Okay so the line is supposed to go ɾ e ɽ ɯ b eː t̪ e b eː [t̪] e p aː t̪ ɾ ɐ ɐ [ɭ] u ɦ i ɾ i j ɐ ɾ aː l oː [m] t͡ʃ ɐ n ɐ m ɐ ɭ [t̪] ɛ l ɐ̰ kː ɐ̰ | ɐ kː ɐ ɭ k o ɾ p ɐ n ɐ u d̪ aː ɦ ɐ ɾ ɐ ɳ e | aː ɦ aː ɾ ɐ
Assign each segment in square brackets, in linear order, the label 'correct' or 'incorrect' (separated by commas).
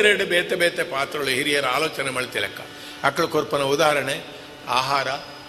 correct, correct, incorrect, correct